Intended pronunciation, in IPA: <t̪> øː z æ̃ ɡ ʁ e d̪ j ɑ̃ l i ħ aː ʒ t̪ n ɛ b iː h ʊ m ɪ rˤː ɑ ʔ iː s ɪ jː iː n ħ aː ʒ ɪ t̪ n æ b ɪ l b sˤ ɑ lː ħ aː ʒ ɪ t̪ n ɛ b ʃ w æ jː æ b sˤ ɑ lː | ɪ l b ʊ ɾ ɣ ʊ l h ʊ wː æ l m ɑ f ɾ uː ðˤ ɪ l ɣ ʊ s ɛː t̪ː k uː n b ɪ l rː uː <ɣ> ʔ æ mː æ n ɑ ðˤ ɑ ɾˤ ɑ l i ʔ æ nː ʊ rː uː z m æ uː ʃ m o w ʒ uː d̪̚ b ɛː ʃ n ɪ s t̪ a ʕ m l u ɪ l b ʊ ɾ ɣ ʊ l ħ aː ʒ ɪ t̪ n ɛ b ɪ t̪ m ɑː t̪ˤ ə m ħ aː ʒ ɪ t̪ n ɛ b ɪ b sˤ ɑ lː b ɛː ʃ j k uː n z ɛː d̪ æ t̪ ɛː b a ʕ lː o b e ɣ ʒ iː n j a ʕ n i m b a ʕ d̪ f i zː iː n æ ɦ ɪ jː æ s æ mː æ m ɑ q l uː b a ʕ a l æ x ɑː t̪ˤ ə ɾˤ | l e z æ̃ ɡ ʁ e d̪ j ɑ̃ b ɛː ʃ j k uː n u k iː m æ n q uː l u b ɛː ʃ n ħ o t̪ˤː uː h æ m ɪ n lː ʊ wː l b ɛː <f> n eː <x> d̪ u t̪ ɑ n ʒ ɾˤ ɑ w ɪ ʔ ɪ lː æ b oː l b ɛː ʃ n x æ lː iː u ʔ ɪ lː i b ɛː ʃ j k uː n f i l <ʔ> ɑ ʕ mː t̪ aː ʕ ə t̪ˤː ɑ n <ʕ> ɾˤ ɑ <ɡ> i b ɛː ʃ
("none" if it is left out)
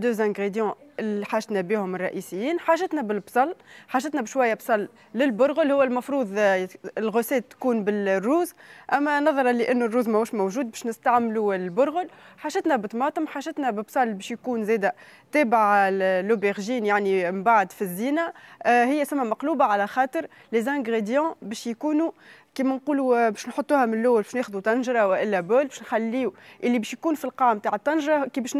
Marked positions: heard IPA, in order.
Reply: d̪, z, ʃ, x, q, ʒ, k

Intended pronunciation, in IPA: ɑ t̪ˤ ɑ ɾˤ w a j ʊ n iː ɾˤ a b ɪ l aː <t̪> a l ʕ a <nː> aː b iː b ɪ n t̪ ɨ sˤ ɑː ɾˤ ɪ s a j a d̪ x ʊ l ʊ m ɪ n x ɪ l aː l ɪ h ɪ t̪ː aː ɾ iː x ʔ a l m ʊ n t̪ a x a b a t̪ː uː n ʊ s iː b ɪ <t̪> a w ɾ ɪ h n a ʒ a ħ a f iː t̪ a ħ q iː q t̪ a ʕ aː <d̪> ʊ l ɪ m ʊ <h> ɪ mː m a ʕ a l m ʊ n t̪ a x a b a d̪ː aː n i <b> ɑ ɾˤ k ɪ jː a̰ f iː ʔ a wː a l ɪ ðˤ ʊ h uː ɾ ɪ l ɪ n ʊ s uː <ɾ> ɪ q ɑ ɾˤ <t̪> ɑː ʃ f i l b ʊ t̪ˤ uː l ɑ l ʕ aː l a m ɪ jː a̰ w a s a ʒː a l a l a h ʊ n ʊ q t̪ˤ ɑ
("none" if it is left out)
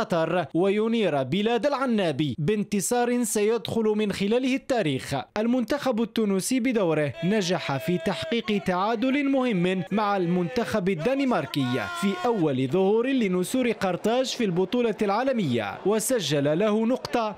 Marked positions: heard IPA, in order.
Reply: d̪, nː, d̪, d̪, h, m, ɾ, t̪

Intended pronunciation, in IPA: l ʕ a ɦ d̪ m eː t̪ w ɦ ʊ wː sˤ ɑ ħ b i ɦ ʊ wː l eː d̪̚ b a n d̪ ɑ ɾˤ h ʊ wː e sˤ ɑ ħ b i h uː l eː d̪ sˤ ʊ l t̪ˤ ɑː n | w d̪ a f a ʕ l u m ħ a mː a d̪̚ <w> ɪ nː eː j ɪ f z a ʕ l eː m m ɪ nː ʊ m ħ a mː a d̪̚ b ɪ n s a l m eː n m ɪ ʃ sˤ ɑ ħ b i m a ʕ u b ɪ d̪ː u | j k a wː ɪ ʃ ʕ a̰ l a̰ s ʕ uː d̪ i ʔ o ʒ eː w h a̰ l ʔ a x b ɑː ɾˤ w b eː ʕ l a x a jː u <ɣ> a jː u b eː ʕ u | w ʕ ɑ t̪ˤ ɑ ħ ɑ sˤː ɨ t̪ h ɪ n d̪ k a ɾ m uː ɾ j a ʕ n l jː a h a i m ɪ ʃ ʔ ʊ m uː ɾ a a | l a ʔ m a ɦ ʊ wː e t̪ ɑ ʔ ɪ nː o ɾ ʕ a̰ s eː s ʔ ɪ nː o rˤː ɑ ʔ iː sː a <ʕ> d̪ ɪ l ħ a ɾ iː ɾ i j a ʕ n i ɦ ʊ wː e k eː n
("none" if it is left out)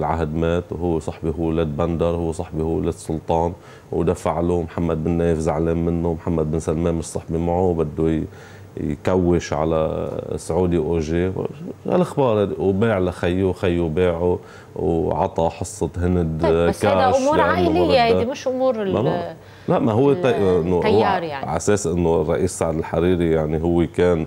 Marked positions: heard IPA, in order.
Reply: b, x, ʕ

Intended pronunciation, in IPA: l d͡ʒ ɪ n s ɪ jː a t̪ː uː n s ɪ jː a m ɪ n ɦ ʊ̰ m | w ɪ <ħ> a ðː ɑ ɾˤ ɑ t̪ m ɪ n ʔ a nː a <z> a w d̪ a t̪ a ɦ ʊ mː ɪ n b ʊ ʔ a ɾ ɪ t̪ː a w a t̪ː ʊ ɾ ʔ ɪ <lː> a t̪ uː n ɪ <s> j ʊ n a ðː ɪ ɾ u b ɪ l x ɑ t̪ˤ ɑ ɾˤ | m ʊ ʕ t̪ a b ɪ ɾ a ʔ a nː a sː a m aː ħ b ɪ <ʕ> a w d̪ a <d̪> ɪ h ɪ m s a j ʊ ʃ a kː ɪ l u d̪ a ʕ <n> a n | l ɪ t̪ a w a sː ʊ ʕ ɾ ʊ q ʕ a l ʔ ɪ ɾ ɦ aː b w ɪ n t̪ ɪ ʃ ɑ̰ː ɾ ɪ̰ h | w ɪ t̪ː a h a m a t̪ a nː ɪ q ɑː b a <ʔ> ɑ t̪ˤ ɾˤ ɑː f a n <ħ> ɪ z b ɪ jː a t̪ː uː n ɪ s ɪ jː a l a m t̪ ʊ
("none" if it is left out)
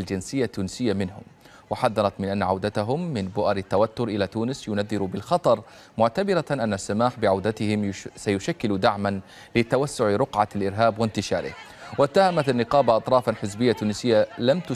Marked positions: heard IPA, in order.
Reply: ħ, ʕ, l, s, ʕ, t̪, m, ʔ, ħ

